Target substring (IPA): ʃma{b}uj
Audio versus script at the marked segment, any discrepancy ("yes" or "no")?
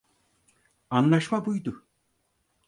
no